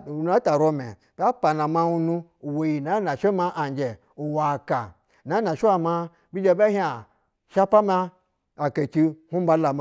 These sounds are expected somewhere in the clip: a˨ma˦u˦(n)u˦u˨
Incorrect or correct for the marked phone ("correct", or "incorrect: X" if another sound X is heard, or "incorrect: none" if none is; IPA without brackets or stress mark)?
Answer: correct